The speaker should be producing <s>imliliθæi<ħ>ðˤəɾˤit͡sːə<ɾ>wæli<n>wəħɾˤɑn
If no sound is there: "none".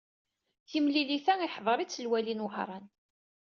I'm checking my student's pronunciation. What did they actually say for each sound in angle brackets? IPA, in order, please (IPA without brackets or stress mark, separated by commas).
θ, ħ, l, n